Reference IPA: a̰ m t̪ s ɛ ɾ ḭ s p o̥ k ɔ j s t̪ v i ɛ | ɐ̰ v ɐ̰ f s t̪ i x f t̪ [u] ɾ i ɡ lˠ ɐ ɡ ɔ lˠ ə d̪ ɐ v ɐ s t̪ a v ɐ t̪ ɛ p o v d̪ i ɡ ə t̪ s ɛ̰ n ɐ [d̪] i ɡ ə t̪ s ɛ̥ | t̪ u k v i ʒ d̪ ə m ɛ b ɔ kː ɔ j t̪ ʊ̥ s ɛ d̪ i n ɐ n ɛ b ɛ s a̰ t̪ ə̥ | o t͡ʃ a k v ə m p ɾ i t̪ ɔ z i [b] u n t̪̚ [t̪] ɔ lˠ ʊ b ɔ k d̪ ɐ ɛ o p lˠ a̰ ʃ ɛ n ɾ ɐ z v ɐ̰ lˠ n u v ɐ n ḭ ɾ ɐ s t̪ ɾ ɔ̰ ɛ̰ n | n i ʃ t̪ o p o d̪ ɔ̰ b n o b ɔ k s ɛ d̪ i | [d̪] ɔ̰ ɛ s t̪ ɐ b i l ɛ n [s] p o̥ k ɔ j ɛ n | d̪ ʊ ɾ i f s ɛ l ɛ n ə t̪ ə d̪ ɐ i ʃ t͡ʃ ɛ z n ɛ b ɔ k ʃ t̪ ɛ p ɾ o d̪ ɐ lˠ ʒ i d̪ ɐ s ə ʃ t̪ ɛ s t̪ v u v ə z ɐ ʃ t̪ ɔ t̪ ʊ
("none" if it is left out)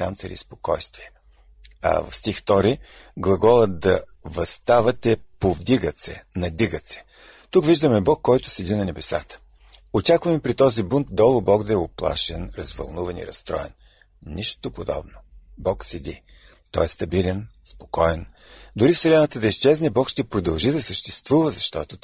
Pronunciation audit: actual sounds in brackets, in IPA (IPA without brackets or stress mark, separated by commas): ɔ, d̪, b, d̪, t̪, s